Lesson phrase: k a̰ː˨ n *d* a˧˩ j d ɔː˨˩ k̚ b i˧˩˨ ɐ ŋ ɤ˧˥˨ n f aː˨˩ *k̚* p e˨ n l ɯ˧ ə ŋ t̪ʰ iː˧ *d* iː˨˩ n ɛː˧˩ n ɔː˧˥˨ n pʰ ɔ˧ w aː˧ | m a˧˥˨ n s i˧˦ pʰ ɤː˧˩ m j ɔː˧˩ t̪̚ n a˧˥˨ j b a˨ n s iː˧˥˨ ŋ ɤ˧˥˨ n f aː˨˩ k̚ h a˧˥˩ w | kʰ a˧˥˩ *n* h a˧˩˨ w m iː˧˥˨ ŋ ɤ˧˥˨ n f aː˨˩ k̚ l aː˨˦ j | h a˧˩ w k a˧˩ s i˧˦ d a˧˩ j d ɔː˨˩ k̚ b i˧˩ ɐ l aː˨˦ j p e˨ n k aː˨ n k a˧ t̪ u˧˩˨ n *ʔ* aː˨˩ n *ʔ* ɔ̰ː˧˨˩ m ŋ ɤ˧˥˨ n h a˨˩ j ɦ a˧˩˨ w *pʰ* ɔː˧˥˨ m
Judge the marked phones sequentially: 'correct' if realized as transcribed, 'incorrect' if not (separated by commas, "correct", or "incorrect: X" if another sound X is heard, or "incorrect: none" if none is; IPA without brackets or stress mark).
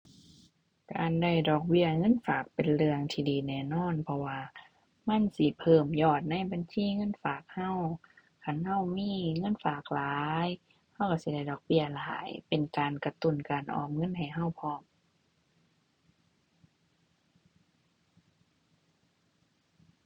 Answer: correct, correct, correct, correct, incorrect: k, correct, correct